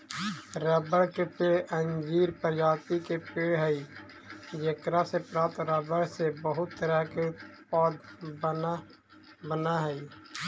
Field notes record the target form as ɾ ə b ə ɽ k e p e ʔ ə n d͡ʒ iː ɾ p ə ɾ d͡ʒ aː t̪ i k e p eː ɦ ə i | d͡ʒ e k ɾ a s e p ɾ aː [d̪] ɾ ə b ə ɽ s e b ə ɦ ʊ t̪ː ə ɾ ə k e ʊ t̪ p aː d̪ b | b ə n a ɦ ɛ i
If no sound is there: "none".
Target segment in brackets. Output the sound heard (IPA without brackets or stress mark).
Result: t̪